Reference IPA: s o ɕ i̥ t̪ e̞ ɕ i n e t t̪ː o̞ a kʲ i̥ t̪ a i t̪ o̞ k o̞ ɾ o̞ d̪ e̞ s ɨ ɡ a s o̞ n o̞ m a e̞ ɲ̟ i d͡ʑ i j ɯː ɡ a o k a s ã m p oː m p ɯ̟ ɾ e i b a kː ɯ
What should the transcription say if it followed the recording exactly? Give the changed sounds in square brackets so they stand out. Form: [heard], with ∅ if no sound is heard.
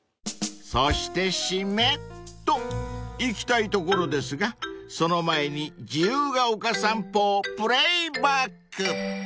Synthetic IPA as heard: s o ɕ i̥ t̪ e̞ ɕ i [m] e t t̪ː o̞ [i] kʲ i̥ t̪ a i t̪ o̞ k o̞ ɾ o̞ d̪ e̞ s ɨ ɡ a s o̞ n o̞ m a e̞ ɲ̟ i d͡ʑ i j ɯː ɡ a o k a s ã m p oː [∅] p ɯ̟ ɾ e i b a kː ɯ